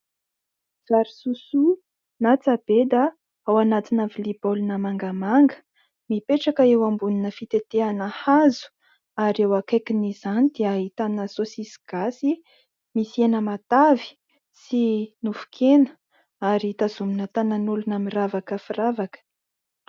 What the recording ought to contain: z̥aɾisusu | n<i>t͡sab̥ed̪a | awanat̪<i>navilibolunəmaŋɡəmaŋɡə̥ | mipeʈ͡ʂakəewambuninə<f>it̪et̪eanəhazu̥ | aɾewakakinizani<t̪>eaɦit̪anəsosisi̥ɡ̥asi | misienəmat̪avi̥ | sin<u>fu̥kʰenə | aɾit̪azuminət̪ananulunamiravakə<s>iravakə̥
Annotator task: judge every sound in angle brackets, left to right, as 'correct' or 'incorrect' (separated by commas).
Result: incorrect, correct, correct, incorrect, correct, incorrect